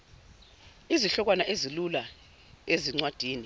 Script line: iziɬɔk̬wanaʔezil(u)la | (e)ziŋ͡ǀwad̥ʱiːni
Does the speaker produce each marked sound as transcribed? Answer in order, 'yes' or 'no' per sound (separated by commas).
yes, yes